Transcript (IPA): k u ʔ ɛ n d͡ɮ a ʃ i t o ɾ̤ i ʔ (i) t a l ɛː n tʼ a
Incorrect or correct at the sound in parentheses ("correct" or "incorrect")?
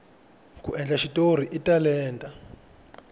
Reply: correct